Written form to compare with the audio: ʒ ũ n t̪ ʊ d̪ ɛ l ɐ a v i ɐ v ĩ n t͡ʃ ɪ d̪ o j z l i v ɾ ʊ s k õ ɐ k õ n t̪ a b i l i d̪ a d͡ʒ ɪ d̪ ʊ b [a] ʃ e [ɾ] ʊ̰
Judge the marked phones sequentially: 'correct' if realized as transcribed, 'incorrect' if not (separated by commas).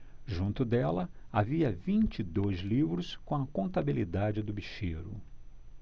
incorrect, correct